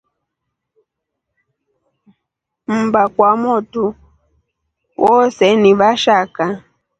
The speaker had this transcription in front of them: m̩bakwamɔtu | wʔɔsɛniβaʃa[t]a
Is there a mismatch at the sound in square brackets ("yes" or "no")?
yes